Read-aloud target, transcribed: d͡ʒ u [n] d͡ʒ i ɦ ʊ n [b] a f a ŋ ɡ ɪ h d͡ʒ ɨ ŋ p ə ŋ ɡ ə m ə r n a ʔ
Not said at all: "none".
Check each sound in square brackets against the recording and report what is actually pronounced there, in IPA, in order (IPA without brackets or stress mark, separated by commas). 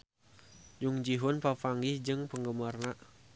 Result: ŋ, p